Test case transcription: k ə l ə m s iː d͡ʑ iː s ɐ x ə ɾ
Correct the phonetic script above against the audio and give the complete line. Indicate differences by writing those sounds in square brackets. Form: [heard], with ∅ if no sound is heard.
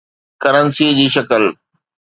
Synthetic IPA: k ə [ɾ] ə [n] s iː d͡ʑ iː [ʃ] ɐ [k] ə [l]